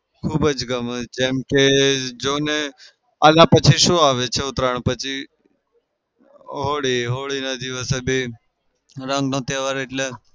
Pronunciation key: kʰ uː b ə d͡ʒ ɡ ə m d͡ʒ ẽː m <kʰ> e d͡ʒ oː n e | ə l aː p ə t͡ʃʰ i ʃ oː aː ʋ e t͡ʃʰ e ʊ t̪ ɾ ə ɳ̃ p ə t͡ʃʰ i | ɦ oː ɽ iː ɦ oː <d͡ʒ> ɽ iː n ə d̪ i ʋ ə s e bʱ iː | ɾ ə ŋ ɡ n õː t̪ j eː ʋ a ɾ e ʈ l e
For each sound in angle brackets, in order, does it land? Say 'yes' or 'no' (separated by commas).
no, no